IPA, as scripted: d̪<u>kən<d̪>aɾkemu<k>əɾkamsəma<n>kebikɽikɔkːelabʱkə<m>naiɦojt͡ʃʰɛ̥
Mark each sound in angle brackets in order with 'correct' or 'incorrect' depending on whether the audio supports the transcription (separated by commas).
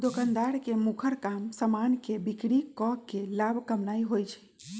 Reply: incorrect, correct, incorrect, correct, correct